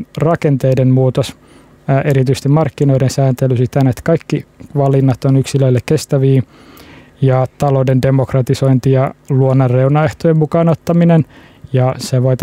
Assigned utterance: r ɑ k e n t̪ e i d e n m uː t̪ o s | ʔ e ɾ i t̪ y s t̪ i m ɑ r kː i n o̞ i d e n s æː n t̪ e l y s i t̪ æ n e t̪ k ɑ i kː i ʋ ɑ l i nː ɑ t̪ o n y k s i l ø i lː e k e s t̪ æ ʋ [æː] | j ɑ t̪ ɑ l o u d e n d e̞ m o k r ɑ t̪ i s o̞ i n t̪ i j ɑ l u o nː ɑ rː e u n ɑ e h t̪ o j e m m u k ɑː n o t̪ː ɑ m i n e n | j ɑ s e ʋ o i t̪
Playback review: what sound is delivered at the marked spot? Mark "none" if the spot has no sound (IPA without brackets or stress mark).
iː